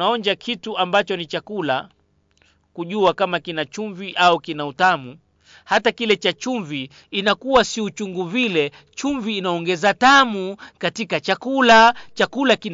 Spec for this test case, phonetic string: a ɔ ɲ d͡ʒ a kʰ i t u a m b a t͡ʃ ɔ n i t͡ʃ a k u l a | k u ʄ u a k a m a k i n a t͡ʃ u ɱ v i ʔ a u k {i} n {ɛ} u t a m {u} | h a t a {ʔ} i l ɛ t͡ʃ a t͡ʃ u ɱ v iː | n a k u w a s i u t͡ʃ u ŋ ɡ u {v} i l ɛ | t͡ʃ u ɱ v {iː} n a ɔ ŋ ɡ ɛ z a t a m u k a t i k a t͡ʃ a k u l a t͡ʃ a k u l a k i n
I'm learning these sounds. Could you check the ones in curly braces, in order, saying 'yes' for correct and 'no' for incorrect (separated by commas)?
yes, no, yes, no, yes, yes